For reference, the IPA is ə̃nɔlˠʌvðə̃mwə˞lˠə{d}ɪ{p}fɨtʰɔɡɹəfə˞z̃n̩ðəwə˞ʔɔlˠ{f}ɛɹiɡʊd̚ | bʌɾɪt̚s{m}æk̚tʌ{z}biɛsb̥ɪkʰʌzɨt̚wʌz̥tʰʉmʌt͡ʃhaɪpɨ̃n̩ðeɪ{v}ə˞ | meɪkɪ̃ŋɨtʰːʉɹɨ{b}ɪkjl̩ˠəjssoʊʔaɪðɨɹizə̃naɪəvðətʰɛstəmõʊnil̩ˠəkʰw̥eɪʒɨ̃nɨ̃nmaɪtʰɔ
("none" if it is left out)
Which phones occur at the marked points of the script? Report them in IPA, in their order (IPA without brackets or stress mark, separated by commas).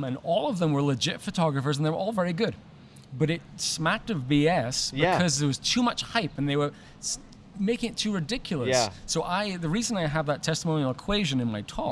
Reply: d͡ʒ, t, v, m, v, w, d